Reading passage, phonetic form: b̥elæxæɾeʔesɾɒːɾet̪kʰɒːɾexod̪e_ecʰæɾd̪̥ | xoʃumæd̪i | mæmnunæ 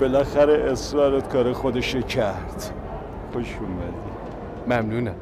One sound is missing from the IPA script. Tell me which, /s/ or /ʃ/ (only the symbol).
ʃ